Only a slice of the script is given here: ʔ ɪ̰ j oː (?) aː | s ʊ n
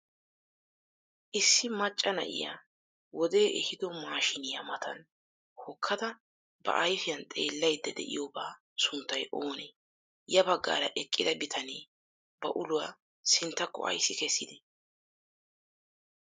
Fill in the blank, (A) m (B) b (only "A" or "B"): B